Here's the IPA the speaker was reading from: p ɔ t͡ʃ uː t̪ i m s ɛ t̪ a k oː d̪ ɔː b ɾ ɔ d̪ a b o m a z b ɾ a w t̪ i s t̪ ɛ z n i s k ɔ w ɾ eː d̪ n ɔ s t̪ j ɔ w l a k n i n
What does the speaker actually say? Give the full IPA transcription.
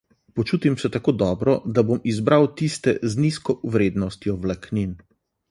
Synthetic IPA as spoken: p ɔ t͡ʃ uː t̪ i m s ɛ t̪ a k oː d̪ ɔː b ɾ ɔ d̪ a b o m i z b ɾ a w t̪ i s t̪ ɛ z n i s k ɔ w ɾ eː d̪ n ɔ s t̪ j ɔ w l a k n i n